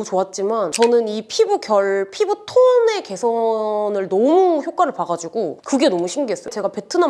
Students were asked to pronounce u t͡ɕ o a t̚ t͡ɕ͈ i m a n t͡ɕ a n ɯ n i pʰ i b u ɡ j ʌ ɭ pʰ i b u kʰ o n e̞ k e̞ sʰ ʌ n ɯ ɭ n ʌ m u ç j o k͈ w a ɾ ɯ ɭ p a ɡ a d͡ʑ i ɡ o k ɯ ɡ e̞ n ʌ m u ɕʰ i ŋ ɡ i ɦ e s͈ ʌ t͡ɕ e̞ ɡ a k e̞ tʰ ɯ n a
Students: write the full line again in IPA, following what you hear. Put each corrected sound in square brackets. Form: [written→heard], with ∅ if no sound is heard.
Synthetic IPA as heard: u t͡ɕ o a t̚ t͡ɕ͈ i m a n t͡ɕ [a→ʌ] n ɯ n i pʰ i b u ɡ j ʌ ɭ pʰ i b u [kʰ→tʰ] o n e̞ k e̞ sʰ ʌ n ɯ ɭ n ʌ m u ç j o k͈ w a ɾ ɯ ɭ p a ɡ a d͡ʑ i ɡ o k ɯ ɡ e̞ n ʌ m u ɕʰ i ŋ ɡ i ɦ e s͈ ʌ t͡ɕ e̞ ɡ a [k→p] e̞ tʰ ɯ n a

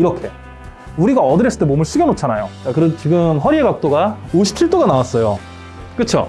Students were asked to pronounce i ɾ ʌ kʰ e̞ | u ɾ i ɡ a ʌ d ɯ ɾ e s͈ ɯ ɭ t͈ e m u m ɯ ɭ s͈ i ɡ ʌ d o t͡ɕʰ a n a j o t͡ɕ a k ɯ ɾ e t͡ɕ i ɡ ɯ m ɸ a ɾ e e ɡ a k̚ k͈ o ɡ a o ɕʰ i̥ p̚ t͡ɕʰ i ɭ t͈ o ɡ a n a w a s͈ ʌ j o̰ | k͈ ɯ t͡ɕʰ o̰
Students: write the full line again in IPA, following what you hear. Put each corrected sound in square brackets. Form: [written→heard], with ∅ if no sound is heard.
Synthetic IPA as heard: i ɾ ʌ kʰ e̞ | u ɾ i ɡ a ʌ d ɯ ɾ e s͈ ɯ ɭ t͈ e m [u→o] m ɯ ɭ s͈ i ɡ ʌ [d→n] o t͡ɕʰ a n a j o t͡ɕ a k ɯ ɾ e t͡ɕ i ɡ ɯ m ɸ [a→ʌ] ɾ [e→i] e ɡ a k̚ [k͈→t͈] o ɡ a o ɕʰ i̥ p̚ t͡ɕʰ i ɭ t͈ o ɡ a n a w a s͈ ʌ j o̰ | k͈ ɯ t͡ɕʰ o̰

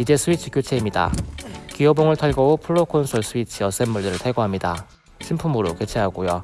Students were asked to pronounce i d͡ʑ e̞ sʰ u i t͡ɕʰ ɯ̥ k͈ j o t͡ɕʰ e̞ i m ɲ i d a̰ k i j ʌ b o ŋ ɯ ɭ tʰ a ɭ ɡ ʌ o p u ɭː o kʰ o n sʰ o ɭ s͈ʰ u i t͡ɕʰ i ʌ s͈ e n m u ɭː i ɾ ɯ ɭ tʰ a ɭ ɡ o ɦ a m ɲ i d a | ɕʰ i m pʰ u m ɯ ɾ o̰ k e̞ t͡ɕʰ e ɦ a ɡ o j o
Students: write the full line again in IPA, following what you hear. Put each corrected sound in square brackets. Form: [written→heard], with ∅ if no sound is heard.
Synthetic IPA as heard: i d͡ʑ e̞ sʰ u i t͡ɕʰ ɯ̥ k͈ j o t͡ɕʰ e̞ i m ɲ i d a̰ k i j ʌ b o ŋ ɯ ɭ tʰ a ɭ ɡ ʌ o [p→pʰ] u ɭː o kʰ o n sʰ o ɭ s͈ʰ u i t͡ɕʰ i ʌ s͈ e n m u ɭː i ɾ ɯ ɭ tʰ a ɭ ɡ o ɦ a m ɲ i d a | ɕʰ i m pʰ u m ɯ ɾ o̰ k e̞ t͡ɕʰ e ɦ a ɡ o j o

